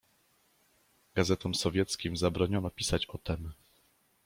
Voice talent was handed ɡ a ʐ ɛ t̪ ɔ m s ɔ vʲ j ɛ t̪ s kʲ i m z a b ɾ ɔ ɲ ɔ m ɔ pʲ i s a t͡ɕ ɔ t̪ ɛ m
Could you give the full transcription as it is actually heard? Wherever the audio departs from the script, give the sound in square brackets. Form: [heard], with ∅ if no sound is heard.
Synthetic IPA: ɡ a [z] ɛ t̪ ɔ m s ɔ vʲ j ɛ t̪ s kʲ i m z a b ɾ ɔ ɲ ɔ [n] ɔ pʲ i s a t͡ɕ ɔ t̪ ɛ m